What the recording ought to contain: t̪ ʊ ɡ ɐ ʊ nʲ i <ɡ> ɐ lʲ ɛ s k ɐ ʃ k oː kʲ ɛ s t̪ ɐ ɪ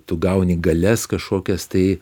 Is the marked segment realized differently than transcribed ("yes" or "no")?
no